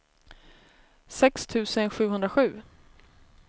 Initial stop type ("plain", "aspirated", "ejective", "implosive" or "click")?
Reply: plain